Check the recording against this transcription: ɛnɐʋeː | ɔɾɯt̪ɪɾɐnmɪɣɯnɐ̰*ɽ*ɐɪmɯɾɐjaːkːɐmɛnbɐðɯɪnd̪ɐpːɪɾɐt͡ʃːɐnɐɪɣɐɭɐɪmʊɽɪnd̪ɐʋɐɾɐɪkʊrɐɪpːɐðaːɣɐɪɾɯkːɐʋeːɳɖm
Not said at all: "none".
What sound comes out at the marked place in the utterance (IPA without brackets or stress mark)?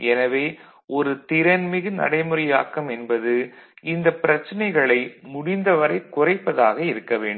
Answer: ɽ